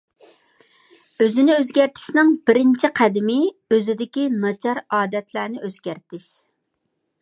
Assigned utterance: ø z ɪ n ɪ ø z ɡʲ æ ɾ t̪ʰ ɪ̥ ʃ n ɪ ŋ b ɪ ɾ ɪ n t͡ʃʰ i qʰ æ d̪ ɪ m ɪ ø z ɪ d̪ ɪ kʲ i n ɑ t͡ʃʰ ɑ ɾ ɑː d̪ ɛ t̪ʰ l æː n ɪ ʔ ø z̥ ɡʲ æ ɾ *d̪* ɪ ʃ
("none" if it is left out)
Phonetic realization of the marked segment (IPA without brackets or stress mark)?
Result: t̪